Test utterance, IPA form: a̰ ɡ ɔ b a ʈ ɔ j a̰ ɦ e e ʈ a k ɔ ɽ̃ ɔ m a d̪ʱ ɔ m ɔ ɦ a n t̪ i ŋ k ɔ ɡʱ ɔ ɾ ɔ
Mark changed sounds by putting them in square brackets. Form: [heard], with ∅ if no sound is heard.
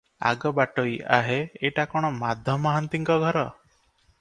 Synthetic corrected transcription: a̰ ɡ ɔ b a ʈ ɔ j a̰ ɦ e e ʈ a k ɔ ɽ̃ ɔ m a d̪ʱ ɔ m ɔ ɦ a n t̪ i ŋ k ɔ ɡʱ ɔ ɾ ɔ